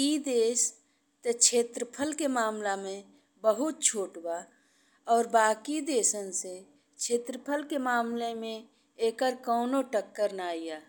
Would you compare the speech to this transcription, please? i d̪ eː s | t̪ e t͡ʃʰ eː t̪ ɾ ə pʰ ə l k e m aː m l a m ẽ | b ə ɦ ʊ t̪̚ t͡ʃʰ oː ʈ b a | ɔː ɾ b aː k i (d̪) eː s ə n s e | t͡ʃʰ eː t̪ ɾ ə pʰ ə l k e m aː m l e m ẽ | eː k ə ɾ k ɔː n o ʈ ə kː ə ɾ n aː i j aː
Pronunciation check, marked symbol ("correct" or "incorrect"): correct